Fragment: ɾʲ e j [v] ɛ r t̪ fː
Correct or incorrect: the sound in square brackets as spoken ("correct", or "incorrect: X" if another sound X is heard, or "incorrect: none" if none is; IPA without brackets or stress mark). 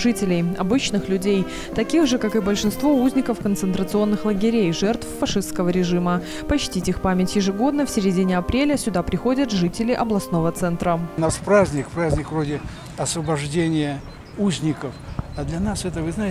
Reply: incorrect: ʐ